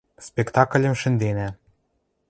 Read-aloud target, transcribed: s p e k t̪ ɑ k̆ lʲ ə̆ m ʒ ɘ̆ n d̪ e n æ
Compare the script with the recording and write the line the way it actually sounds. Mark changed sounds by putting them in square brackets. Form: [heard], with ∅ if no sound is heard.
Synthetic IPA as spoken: s p e k t̪ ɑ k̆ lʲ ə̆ m [ʃ] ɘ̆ n d̪ e n æ